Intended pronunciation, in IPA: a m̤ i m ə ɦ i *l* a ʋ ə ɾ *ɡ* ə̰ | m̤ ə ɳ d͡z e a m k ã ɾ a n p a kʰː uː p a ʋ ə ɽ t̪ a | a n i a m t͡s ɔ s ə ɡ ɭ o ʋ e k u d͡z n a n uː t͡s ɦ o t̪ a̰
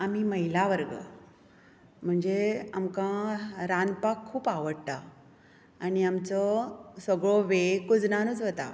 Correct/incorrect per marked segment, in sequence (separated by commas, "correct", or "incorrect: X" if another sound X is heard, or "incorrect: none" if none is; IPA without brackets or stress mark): correct, correct